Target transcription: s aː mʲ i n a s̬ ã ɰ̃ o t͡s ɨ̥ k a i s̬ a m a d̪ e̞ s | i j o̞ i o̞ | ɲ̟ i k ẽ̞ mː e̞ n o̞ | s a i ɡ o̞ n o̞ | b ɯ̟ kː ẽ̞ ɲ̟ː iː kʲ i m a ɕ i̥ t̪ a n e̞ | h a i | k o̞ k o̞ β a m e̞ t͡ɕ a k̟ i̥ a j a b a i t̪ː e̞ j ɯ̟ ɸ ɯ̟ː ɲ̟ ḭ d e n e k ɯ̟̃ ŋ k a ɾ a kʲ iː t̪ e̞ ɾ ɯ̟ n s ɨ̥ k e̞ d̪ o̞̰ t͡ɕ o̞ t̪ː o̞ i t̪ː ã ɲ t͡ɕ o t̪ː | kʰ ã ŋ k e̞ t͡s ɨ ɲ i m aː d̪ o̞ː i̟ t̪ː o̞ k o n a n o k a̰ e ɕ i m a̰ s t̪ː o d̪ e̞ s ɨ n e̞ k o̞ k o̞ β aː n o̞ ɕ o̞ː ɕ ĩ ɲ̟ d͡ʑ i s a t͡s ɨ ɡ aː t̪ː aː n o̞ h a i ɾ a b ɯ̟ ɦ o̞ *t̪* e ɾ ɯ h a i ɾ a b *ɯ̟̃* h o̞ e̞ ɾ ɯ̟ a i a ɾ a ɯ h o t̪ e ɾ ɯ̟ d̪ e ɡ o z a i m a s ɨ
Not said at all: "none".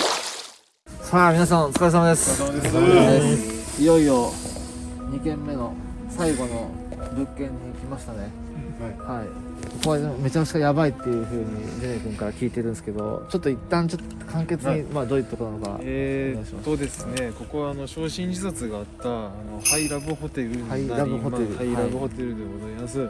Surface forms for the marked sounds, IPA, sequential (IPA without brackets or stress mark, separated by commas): t̪, ɯ̟